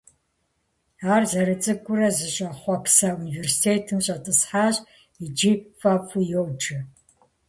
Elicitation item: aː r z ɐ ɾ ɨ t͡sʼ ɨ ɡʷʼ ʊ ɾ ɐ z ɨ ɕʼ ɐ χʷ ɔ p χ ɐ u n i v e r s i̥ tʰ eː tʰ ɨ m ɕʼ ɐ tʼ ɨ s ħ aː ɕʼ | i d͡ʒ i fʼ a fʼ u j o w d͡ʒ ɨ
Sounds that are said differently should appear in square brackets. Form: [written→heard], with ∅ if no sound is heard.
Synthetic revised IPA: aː r z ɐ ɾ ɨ t͡sʼ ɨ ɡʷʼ ʊ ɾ ɐ z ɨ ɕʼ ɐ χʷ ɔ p [χ→s] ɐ u n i v e r s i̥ tʰ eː tʰ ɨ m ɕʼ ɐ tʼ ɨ s ħ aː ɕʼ | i d͡ʒ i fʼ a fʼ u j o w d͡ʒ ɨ